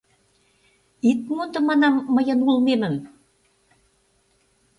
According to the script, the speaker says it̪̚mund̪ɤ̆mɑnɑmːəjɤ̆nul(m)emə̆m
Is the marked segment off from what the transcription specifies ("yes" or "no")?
no